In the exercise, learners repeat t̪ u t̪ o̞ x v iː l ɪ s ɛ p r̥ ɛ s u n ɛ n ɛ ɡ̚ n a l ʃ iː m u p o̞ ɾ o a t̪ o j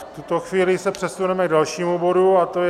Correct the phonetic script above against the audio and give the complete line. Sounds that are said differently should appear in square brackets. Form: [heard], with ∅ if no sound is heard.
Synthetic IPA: t̪ u t̪ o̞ x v iː l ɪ s ɛ p r̥ ɛ s u n ɛ [m] ɛ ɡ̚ [d] a l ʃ iː m u [b] o̞ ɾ [u] a t̪ o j